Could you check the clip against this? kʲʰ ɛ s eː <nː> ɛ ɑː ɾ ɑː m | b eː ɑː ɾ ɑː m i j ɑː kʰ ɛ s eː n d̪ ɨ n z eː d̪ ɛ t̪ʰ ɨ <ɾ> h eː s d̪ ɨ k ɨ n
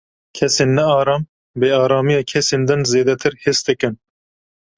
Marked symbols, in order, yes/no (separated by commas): yes, yes